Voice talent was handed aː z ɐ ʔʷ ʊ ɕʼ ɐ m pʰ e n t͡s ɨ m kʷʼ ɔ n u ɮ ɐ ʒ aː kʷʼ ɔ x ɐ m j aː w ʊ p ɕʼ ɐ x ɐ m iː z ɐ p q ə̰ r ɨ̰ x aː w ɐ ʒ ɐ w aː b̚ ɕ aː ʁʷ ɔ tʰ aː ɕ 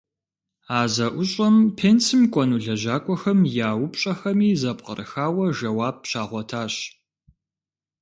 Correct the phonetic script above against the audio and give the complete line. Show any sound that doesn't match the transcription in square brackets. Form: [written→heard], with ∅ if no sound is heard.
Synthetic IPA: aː z ɐ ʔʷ ʊ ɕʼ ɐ m pʰ e n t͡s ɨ m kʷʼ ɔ n u ɮ ɐ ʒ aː kʷʼ ɔ x ɐ m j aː w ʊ p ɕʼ ɐ x ɐ m iː z ɐ p q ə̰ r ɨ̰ x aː w ɐ ʒ ɐ w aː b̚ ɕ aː ʁʷ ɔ tʰ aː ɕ